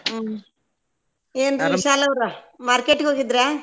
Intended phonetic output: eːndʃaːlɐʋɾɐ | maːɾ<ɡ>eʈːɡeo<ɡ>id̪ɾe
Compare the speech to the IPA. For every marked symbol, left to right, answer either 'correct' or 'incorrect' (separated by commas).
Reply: incorrect, correct